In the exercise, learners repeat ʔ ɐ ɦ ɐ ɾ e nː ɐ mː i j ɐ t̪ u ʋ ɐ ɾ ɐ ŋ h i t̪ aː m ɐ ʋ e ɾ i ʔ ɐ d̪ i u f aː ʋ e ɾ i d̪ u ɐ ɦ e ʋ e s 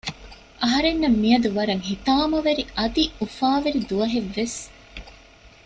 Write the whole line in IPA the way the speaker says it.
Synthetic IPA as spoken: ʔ ɐ ɦ ɐ ɾ e nː ɐ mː i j ɐ d̪ u ʋ ɐ ɾ ɐ ŋ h i t̪ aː m ɐ ʋ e ɾ i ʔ ɐ d̪ i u f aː ʋ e ɾ i d̪ u ɐ ɦ e ʋː e s